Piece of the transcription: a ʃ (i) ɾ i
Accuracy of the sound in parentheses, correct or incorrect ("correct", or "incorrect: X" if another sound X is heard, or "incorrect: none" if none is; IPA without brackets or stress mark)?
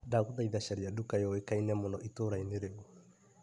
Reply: incorrect: a